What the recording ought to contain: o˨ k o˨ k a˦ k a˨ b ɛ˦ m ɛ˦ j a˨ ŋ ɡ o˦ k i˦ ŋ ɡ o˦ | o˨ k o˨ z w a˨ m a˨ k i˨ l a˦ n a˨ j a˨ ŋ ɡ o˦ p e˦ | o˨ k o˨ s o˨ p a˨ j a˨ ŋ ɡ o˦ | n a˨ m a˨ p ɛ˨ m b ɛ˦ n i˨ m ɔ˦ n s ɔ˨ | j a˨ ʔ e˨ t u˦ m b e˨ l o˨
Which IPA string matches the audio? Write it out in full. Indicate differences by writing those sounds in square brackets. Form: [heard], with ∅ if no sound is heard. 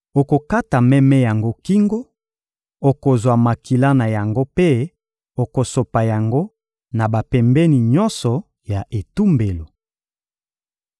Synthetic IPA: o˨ k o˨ k a˦ [t] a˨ [m] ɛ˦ m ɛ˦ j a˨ ŋ ɡ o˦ k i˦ ŋ ɡ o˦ | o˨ k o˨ z w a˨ m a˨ k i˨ l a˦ n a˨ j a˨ ŋ ɡ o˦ p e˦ | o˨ k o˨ s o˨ p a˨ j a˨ ŋ ɡ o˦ | n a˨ [b] a˨ p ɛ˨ m b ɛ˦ n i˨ [ɲ] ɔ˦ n s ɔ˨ | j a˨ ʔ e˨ t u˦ m b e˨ l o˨